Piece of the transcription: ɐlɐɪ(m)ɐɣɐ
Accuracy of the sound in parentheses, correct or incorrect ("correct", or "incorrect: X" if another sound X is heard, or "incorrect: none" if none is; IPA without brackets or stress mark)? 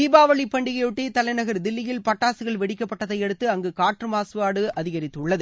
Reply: incorrect: n